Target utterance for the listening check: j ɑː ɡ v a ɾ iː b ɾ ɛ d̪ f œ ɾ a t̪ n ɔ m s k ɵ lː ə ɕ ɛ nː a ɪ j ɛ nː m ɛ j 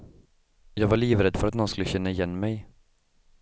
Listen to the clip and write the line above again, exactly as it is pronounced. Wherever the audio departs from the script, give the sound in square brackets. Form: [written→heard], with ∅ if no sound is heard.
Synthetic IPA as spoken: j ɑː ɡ v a [ɾ→ɭ] iː [b→v] ɾ ɛ d̪ f œ ɾ a t̪ n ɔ [m→n] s k ɵ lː ə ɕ ɛ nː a ɪ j ɛ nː m ɛ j